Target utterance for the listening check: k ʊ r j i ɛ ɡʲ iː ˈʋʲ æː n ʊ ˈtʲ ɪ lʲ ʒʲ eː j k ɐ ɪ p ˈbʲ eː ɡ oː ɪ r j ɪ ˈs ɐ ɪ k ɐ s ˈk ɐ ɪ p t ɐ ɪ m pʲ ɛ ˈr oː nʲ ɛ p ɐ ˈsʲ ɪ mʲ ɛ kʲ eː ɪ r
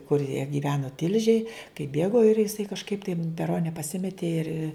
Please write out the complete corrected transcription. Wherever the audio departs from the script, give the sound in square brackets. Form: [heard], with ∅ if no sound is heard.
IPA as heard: k ʊ r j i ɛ ɡʲ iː ˈʋʲ æː n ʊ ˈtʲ ɪ lʲ ʒʲ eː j k ɐ ɪ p ˈbʲ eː ɡ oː ɪ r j ɪ ˈs ɐ ɪ k ɐ [ʃ] ˈk ɐ ɪ p t ɐ ɪ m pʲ ɛ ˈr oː nʲ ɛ p ɐ ˈsʲ ɪ mʲ ɛ [tʲ] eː ɪ r